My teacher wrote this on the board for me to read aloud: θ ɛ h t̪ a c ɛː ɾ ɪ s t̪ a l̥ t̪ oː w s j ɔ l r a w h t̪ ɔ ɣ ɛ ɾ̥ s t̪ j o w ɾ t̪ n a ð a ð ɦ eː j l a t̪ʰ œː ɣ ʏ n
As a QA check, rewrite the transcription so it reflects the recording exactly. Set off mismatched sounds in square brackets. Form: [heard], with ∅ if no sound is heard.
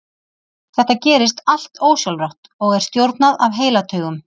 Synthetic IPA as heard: θ ɛ h t̪ a c ɛː ɾ ɪ s t̪ a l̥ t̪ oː w s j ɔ l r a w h t̪ ɔ ɣ ɛ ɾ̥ s t̪ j o w ɾ t̪ n a ð a [v] ɦ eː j l a t̪ʰ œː ɣ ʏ [m]